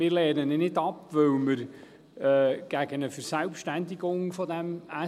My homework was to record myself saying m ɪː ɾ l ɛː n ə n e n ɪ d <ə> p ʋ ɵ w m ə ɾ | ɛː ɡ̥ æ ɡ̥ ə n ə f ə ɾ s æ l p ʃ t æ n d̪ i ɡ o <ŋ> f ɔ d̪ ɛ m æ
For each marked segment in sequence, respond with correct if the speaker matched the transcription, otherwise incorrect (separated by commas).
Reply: incorrect, correct